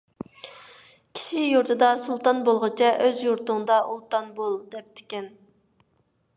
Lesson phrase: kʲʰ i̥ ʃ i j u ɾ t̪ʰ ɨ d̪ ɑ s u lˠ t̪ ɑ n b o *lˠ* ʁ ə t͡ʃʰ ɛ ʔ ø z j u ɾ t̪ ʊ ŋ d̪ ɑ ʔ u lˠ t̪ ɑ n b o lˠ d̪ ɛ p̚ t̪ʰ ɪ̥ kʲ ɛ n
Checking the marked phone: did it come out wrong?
no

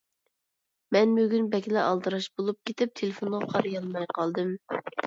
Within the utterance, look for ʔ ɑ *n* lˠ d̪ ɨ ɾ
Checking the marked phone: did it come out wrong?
yes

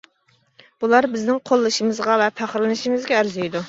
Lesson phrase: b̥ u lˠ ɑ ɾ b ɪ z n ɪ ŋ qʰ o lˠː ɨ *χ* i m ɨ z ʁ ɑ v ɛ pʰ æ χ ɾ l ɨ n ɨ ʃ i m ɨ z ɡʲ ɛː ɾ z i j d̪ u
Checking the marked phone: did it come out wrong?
yes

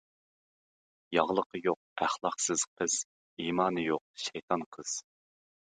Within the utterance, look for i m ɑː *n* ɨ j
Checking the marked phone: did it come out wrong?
no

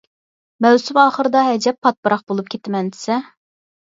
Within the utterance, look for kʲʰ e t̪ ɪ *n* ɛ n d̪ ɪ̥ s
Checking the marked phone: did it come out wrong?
yes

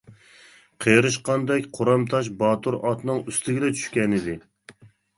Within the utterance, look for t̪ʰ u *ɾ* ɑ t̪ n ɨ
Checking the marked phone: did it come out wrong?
no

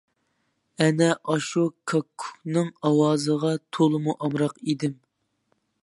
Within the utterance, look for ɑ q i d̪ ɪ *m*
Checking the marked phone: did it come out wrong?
no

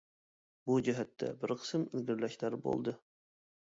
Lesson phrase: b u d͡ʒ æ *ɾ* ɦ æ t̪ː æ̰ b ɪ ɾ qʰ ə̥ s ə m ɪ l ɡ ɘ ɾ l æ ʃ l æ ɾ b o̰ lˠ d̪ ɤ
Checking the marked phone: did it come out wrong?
yes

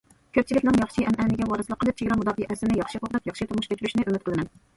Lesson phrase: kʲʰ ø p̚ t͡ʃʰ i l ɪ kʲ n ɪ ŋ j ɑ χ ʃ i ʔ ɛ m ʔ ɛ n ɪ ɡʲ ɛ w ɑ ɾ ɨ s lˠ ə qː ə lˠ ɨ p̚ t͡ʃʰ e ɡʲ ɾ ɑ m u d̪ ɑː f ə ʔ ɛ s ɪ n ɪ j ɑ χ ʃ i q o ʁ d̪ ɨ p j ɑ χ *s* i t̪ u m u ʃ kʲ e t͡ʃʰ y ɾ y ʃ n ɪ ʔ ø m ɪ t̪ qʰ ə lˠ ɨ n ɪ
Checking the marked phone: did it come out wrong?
yes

